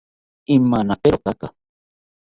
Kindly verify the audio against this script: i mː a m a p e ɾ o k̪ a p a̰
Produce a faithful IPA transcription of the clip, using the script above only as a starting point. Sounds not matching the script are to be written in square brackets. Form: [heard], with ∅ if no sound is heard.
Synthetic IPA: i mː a [n] a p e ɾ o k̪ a [k] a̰